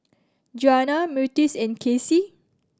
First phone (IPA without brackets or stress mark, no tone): d͡ʒ